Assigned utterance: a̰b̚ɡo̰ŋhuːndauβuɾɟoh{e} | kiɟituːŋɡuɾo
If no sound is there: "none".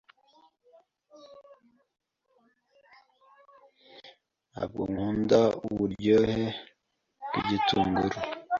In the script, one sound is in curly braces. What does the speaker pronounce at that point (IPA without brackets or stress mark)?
e